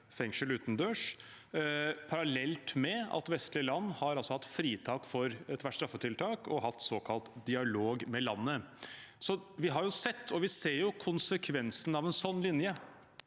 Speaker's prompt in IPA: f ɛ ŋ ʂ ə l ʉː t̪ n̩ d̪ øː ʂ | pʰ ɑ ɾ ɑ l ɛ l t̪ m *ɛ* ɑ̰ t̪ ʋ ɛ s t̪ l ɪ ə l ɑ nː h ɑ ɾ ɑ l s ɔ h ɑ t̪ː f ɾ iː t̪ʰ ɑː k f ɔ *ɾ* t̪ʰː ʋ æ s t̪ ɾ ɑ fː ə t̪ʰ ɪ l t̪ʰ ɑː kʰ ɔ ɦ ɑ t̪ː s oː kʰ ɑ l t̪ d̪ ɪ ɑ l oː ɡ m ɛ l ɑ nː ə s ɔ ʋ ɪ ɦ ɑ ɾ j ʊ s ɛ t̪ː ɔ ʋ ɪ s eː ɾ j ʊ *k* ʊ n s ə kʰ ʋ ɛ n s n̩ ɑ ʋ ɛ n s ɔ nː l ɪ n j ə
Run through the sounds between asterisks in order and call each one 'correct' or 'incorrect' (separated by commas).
correct, correct, incorrect